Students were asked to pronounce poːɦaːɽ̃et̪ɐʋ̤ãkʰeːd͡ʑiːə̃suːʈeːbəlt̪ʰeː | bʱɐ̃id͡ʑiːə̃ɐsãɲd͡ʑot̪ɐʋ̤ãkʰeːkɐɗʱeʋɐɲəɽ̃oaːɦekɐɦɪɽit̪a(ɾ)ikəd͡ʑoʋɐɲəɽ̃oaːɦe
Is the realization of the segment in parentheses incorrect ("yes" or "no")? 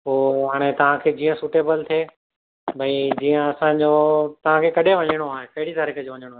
no